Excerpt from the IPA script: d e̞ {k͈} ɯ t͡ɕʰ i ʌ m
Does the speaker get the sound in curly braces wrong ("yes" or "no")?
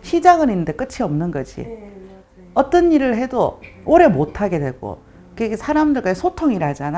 no